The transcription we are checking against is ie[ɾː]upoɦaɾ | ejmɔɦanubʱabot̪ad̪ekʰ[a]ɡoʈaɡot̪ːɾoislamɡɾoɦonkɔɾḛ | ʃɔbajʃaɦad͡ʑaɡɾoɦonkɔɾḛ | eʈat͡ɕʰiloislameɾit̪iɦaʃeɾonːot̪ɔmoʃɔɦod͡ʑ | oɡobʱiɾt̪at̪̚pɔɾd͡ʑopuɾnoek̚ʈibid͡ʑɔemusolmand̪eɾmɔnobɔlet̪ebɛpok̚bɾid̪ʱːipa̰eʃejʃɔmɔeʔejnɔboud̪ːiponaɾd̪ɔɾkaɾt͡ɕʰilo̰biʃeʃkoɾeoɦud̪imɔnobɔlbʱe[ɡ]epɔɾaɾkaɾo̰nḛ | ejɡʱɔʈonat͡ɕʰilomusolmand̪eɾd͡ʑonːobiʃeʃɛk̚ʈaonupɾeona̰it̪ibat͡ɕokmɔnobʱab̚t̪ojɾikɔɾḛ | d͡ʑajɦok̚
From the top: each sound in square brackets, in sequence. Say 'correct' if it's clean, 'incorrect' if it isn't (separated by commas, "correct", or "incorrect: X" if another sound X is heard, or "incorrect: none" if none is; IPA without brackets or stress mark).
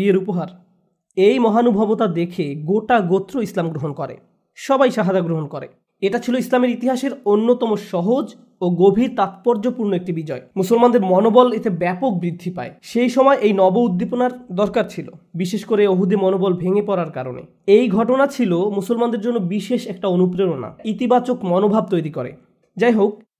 incorrect: ɾ, incorrect: e, incorrect: ŋ